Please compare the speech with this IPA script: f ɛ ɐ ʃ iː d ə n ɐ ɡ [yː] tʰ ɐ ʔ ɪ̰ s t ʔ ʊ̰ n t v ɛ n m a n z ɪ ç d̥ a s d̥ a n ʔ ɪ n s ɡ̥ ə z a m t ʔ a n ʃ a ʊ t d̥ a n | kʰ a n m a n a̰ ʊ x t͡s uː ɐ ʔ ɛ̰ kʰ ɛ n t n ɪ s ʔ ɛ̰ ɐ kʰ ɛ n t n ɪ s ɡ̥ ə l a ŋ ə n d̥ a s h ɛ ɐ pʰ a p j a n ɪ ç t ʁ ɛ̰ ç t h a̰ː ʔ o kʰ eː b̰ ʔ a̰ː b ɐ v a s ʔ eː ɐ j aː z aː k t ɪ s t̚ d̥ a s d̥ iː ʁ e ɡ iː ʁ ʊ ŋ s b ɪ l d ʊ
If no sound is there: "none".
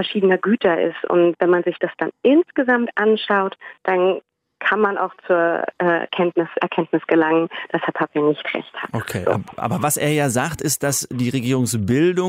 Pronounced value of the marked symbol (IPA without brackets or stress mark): yː